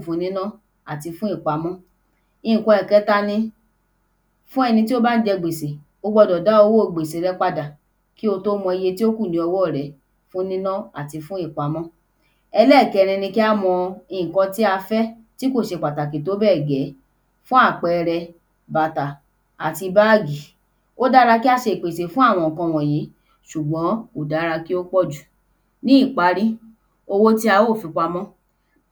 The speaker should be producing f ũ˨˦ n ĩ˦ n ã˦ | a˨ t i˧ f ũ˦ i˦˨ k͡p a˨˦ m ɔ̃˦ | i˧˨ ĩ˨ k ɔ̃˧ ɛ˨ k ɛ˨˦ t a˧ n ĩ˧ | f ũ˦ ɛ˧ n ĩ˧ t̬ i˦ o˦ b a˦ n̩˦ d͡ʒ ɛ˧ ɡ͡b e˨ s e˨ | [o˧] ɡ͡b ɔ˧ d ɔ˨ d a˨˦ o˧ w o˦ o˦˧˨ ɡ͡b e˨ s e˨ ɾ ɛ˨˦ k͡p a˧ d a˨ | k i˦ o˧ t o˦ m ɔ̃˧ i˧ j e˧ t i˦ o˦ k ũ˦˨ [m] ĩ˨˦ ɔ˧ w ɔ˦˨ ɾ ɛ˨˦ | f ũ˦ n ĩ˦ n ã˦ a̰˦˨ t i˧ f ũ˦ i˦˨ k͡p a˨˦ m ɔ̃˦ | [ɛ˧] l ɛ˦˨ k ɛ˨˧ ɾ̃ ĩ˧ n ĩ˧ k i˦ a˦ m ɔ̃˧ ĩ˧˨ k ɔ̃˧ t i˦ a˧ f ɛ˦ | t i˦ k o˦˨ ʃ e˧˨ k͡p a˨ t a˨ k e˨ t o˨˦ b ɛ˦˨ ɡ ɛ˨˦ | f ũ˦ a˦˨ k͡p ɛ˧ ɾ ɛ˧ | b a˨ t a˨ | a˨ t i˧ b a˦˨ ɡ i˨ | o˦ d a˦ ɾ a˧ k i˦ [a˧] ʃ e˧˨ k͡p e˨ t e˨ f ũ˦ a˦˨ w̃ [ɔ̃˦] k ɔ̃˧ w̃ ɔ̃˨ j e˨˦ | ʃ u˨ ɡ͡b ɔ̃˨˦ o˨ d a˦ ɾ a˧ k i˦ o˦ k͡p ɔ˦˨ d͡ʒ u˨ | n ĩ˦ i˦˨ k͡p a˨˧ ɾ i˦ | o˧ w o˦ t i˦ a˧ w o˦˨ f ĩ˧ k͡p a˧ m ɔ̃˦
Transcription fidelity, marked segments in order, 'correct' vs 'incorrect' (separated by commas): correct, incorrect, correct, correct, incorrect